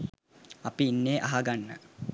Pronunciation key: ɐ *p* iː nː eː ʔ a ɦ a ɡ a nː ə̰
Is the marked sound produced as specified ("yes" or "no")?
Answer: yes